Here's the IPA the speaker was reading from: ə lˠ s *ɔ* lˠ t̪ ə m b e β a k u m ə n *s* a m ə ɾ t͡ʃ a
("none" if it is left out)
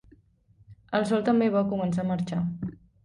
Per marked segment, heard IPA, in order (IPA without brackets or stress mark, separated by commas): ɔ, s